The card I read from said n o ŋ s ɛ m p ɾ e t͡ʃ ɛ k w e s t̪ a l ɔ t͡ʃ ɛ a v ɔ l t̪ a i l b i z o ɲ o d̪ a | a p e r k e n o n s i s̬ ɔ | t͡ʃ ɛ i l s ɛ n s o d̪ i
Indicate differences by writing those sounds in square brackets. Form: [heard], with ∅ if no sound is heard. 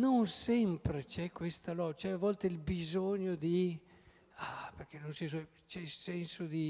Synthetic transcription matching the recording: n o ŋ s ɛ m p ɾ e t͡ʃ ɛ k w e s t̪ a l ɔ t͡ʃ ɛ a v ɔ l t̪ [e] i l b i z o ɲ o d̪ [i] | a p e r k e n o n s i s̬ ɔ | t͡ʃ ɛ i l s ɛ n s o d̪ i